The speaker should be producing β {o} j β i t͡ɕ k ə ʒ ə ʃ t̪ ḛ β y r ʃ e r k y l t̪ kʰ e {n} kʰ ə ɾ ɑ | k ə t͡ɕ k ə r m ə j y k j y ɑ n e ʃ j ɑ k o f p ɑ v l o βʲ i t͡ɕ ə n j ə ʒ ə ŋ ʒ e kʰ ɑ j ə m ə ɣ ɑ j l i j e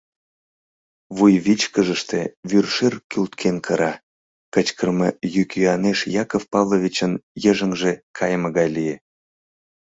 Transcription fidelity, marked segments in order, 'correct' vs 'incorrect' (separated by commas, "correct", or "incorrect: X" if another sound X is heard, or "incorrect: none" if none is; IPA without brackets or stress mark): incorrect: u, correct